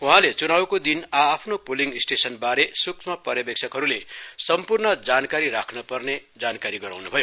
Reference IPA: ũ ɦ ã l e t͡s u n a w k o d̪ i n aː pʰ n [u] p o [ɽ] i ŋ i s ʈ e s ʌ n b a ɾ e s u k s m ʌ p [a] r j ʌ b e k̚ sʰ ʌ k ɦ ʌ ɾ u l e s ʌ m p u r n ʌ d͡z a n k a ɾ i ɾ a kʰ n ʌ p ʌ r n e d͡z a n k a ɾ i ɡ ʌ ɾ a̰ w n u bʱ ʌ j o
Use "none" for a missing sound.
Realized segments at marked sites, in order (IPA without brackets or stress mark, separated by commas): o, l, ʌ